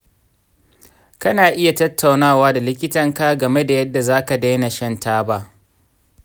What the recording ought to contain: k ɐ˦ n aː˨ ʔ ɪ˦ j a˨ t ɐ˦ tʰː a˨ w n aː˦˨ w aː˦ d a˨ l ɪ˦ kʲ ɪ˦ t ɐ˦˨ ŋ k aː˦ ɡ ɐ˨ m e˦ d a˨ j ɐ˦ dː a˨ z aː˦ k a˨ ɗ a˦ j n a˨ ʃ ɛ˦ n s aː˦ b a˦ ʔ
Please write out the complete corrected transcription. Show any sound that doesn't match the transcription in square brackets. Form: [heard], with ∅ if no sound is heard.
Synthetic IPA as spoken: k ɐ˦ n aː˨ ʔ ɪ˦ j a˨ t ɐ˦ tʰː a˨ w n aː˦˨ w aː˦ d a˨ l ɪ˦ kʲ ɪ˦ t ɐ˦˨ ŋ k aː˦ ɡ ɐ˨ m e˦ d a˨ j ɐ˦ dː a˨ z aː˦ k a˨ [d] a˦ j n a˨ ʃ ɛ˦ n [t] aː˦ b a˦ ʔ